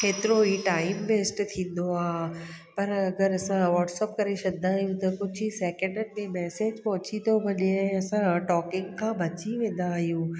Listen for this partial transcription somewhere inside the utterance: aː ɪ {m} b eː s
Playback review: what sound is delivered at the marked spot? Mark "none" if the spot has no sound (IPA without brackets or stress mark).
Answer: m